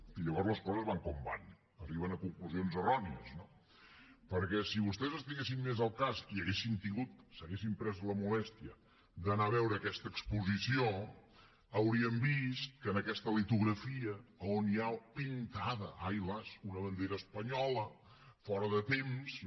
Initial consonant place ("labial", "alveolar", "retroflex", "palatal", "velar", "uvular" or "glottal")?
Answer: palatal